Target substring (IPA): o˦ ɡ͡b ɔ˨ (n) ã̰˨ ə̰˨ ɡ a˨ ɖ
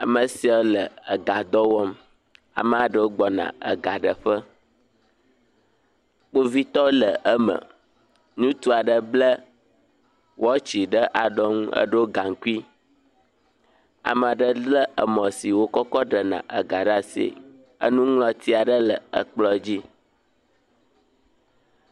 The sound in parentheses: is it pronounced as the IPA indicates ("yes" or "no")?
yes